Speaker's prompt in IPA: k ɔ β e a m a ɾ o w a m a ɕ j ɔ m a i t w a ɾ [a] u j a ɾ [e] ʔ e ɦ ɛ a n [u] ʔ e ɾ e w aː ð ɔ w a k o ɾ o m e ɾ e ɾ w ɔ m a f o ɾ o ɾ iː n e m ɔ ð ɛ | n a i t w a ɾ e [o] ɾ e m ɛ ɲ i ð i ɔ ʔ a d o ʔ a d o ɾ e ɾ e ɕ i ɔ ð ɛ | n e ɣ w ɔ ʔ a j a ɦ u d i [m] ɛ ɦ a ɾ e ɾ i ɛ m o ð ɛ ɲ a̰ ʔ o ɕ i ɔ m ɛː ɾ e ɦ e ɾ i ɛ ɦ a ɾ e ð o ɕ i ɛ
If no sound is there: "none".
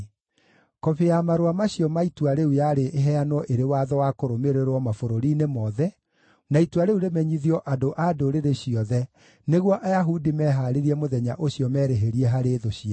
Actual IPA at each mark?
e, e, ɔ, u, m

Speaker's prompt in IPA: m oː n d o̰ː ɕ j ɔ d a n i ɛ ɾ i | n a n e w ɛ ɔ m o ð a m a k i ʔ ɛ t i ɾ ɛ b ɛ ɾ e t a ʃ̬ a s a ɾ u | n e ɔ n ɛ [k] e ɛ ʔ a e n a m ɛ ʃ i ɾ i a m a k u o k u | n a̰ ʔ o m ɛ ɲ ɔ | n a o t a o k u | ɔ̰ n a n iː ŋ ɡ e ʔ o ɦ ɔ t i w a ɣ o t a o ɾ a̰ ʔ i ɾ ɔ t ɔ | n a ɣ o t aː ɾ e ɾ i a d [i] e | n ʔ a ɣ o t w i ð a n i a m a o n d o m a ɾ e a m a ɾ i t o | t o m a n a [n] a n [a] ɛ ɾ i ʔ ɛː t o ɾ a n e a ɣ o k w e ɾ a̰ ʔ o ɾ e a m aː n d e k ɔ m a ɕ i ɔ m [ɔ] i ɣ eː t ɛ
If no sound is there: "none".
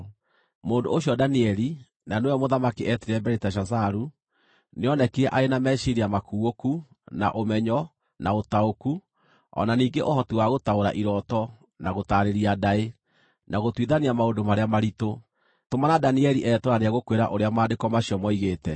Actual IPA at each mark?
k, a, d, i, ɔ

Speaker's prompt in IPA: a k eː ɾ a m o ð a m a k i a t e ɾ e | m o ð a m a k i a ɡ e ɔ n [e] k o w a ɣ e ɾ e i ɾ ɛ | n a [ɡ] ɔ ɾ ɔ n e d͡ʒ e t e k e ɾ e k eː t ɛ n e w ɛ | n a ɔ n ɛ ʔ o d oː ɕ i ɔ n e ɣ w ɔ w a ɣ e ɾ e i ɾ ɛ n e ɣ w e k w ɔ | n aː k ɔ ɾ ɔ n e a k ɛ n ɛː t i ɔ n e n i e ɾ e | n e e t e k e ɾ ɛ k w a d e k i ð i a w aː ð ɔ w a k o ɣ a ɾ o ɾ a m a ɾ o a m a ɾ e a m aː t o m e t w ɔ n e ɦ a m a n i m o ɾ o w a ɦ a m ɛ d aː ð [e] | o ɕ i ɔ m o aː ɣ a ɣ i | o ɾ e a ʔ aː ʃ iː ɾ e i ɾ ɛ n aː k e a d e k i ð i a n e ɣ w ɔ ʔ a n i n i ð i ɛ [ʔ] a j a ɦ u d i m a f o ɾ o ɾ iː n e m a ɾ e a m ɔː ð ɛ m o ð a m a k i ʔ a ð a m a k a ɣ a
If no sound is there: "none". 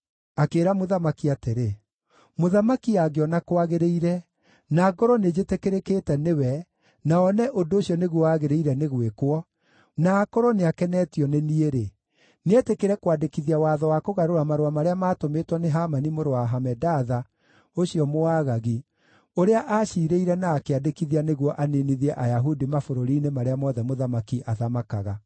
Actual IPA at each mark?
a, ɡ, a, ʔ

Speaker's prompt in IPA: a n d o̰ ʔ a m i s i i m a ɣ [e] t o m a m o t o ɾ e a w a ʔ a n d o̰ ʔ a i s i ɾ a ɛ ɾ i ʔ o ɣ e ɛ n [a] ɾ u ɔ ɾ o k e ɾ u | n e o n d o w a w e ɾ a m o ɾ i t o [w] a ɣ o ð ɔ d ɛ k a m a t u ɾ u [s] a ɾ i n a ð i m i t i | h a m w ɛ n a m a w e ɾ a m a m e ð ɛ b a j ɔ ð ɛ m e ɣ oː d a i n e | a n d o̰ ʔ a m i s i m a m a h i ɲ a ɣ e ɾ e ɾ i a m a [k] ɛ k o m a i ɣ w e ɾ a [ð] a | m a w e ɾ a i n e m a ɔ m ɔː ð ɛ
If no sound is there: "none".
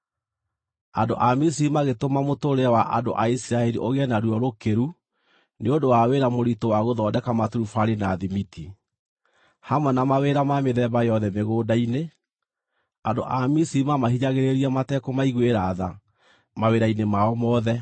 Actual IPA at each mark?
e, a, w, f, t, ð

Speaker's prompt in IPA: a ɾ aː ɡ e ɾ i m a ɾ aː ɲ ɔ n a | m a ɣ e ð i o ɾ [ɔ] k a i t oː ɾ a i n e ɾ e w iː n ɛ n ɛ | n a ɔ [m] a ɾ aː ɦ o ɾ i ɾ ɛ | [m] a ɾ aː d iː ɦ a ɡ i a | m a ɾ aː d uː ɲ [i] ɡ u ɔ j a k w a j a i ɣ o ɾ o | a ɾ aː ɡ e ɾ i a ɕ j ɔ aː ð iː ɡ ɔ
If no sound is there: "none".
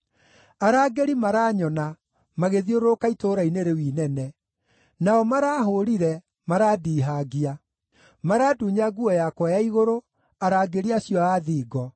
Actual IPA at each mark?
o, m, m, a

